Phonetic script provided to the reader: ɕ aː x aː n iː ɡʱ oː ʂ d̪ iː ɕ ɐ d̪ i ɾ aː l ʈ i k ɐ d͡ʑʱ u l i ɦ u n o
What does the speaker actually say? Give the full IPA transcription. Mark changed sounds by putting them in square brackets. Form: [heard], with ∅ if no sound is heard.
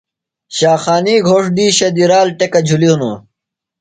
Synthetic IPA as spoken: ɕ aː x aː n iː ɡʱ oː ʂ d̪ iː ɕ ɐ d̪ i ɾ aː l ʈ [e] k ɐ d͡ʑʱ u l i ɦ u n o